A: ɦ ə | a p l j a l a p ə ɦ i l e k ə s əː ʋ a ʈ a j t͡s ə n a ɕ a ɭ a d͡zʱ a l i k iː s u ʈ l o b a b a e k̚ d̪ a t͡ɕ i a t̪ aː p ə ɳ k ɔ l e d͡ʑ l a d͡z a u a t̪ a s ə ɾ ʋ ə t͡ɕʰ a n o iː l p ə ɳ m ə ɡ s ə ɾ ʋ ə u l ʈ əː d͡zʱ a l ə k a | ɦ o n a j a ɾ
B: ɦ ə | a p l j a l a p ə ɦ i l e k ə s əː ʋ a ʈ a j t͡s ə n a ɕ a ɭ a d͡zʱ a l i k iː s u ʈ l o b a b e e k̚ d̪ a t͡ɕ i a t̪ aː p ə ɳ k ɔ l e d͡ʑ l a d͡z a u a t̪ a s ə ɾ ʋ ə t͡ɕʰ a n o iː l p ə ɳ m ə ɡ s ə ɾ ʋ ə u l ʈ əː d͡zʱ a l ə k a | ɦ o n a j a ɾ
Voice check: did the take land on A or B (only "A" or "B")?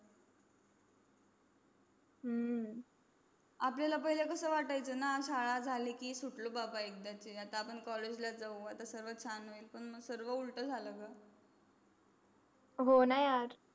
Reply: A